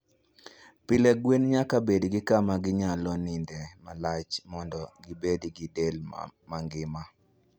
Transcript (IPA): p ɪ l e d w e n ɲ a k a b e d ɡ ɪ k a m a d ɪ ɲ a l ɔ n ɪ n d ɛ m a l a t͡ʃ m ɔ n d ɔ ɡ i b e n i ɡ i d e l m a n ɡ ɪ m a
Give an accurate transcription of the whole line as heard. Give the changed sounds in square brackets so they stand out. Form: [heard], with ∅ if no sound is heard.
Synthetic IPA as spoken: p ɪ l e [ɡ] w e n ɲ a k a b e d ɡ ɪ k a m a [ɡ] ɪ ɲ a l ɔ n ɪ n d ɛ m a l a t͡ʃ m ɔ n d ɔ ɡ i b e [d] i ɡ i d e l m a [ŋ] ɡ ɪ m a